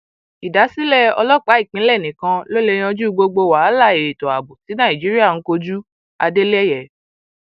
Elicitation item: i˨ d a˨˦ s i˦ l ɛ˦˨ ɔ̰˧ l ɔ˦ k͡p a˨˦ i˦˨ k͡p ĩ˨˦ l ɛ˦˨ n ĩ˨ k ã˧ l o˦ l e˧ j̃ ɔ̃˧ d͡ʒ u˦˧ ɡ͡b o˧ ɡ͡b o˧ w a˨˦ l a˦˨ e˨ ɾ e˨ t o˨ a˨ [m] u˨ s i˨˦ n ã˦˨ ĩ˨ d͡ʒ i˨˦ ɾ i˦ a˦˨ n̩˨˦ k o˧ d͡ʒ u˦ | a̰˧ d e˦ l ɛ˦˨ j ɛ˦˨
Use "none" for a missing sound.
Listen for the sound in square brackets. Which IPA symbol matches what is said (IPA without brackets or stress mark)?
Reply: b